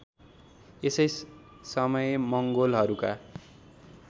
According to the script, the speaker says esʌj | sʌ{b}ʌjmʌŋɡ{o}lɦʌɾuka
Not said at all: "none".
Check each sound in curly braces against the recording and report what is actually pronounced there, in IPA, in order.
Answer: m, o

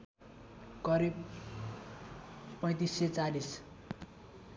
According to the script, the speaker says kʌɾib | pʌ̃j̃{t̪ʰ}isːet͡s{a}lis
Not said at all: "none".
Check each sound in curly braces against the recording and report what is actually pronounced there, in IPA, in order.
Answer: t̪, a

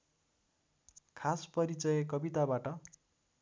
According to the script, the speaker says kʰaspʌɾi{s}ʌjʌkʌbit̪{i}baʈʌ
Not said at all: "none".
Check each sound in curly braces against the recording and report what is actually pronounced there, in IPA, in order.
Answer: t͡s, a

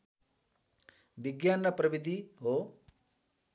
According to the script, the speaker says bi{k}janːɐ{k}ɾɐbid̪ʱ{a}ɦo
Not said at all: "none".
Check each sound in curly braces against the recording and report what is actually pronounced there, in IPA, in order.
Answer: ɡ, p, i

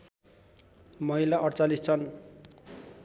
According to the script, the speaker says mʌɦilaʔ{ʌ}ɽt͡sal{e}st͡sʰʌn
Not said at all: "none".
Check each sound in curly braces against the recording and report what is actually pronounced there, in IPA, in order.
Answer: ʌ, i

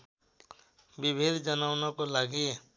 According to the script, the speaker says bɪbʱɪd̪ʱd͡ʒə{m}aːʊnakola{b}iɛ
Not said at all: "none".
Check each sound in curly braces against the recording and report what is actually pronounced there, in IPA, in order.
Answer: n, ɡ

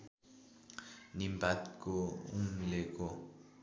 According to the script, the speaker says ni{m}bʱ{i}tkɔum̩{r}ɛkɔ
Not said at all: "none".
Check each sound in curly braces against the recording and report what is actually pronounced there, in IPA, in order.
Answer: m, a, l

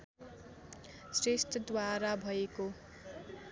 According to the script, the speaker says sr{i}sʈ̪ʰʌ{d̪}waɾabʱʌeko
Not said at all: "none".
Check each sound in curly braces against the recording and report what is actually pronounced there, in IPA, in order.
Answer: e, d̪

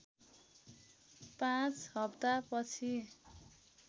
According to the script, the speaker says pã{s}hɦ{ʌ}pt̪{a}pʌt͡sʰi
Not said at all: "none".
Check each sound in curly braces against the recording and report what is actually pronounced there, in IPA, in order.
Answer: t͡s, ʌ, a

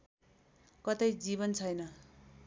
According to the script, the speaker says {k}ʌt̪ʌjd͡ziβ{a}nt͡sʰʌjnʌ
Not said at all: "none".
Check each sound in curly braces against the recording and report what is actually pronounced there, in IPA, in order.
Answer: k, ʌ

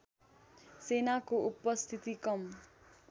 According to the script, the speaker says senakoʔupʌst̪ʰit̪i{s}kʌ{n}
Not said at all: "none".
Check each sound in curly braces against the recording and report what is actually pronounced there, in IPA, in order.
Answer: none, m

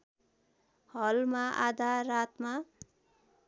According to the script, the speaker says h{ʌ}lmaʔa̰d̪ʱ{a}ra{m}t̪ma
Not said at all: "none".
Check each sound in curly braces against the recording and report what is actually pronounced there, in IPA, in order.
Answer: ʌ, a, none

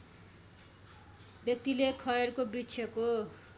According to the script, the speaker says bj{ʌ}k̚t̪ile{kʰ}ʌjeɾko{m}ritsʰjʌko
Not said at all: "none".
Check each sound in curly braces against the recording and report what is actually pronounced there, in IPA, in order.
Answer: ʌ, kʰ, b

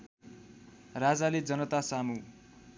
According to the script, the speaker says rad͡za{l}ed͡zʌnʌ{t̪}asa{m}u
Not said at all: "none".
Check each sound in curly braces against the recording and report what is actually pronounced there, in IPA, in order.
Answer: l, t̪, m

